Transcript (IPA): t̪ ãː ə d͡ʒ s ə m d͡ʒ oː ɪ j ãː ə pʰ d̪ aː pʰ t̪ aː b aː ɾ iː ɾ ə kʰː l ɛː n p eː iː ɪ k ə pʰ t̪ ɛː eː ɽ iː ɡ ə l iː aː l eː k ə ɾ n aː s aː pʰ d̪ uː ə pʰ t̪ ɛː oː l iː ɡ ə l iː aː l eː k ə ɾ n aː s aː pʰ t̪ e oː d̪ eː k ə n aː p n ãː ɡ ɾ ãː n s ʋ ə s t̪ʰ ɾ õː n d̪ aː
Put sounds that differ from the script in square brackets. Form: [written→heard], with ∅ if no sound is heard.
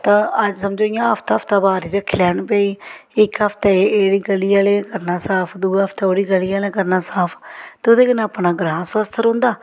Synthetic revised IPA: t̪ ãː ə d͡ʒ s ə m d͡ʒ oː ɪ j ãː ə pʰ [d̪→t̪] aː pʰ t̪ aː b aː ɾ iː ɾ ə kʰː l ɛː n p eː iː ɪ k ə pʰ t̪ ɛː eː ɽ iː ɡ ə l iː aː l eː k ə ɾ n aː s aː pʰ d̪ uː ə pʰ t̪ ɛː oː [l→ɽ] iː ɡ ə l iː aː l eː k ə ɾ n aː s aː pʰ t̪ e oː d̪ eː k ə n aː p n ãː ɡ ɾ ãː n s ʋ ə s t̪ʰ ɾ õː n d̪ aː